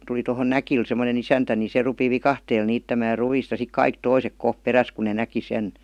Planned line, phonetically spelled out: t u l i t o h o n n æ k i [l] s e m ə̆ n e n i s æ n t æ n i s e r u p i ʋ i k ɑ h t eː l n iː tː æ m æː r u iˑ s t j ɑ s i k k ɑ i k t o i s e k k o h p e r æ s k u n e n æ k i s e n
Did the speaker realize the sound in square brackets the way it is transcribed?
yes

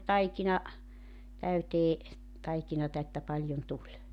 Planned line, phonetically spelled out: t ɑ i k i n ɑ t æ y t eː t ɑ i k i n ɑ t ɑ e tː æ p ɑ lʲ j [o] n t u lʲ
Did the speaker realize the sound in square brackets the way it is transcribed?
yes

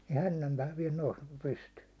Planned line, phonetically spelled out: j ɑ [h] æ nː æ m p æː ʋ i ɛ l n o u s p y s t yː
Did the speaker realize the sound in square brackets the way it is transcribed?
yes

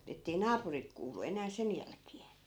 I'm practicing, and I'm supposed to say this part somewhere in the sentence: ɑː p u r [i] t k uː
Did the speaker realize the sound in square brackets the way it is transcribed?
yes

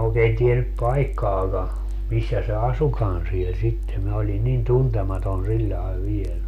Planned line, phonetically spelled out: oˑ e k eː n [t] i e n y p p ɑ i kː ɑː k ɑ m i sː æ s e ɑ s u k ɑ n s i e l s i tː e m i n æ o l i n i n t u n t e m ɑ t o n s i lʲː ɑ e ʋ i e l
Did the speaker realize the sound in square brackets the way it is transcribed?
yes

